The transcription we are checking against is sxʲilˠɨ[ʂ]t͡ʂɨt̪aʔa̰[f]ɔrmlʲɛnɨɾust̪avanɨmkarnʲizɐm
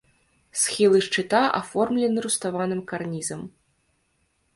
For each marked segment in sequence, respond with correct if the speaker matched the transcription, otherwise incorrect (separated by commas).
correct, correct